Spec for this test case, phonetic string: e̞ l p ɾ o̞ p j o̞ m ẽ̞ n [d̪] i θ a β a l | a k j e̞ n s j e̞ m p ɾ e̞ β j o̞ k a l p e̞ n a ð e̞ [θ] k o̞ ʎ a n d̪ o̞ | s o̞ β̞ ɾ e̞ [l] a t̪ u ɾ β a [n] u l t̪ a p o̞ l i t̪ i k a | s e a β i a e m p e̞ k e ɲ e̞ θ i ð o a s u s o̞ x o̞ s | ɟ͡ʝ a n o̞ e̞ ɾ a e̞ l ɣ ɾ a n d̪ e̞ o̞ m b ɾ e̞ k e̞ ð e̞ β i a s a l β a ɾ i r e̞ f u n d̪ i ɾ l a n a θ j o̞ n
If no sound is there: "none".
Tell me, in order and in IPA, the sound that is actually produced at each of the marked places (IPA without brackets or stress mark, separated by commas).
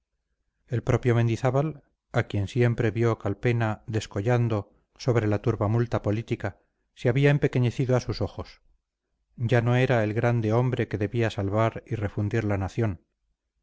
d̪, s, l, m